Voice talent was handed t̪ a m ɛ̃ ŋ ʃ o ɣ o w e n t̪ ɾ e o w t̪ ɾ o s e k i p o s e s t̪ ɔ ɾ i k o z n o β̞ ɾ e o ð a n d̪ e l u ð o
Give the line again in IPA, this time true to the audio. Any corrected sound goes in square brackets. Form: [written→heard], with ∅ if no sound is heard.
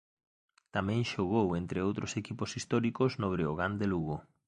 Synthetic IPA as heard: t̪ a m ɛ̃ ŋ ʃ o ɣ o w e n t̪ ɾ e o w t̪ ɾ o s e k i p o s [e→i] s t̪ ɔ ɾ i k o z n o β̞ ɾ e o [ð→ɣ] a n d̪ e l u [ð→ɣ] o